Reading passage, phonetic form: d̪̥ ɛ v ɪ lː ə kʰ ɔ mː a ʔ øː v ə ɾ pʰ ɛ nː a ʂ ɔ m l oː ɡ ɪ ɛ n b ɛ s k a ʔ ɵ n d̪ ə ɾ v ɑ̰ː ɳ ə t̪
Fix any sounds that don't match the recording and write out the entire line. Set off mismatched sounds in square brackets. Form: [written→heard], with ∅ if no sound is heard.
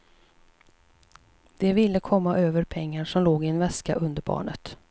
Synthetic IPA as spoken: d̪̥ ɛ v ɪ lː ə kʰ ɔ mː a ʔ øː v ə ɾ pʰ ɛ [nː→ŋː] a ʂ ɔ m l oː ɡ ɪ ɛ n [b→v] ɛ s k a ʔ ɵ n d̪ ə ɾ [v→b] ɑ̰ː ɳ ə t̪